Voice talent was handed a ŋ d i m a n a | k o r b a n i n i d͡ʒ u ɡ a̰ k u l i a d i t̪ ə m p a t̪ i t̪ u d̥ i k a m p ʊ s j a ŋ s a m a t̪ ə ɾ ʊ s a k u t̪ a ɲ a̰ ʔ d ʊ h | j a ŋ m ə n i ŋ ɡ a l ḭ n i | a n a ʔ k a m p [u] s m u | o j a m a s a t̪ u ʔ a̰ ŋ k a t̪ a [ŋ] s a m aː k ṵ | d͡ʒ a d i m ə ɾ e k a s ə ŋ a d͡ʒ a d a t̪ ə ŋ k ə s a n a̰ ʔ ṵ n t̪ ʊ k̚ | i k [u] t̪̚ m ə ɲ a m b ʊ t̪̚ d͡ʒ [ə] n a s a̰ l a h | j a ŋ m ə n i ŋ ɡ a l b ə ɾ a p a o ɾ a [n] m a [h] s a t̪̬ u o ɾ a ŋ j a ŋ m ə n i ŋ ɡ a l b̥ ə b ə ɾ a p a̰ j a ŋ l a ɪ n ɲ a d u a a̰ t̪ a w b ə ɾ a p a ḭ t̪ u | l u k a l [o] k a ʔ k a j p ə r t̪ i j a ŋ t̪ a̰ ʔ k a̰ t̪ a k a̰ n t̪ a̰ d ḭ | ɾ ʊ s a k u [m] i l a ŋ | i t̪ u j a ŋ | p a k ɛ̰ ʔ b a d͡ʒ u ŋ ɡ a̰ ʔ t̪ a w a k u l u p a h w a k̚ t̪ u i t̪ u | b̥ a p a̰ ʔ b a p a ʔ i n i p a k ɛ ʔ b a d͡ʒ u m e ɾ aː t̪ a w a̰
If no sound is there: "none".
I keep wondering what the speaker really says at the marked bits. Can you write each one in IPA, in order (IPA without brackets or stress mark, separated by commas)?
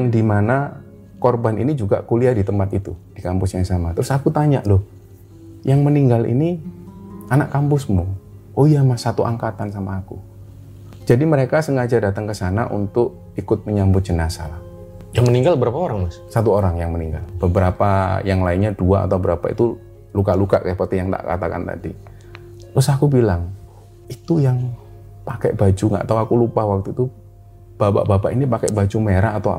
ʊ, n, ʊ, ə, ŋ, s, u, b